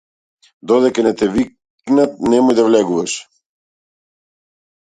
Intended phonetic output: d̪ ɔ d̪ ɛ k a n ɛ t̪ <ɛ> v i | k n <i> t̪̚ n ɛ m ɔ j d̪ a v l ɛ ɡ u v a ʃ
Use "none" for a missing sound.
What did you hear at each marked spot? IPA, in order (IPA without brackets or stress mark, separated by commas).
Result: ɛ, a